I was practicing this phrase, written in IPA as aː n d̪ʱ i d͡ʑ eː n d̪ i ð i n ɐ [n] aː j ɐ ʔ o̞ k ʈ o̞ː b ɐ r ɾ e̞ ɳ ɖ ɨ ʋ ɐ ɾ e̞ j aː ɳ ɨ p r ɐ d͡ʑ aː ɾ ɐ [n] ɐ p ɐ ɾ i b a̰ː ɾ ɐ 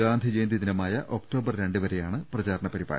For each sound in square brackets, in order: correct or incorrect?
incorrect: m, incorrect: ɳ

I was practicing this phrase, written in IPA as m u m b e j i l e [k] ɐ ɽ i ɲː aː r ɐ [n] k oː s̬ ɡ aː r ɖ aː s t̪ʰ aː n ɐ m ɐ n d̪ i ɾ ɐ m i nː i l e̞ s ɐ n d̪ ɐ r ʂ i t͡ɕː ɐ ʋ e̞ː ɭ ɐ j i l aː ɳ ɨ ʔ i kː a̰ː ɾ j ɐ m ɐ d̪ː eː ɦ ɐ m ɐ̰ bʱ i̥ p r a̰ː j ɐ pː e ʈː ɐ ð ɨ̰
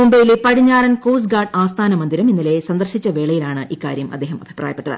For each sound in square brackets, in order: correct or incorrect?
incorrect: p, correct

